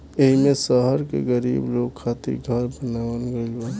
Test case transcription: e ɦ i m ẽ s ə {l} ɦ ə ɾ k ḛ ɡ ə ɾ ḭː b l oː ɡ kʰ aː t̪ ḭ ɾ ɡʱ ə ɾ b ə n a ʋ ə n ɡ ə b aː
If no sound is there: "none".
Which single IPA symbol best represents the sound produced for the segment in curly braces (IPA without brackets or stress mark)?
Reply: none